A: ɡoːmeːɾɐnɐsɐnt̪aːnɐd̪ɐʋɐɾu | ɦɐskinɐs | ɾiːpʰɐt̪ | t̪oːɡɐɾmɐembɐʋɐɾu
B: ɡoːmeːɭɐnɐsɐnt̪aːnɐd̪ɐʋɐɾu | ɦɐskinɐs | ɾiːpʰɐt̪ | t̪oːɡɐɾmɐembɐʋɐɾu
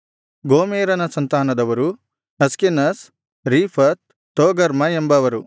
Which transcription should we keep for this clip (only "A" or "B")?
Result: A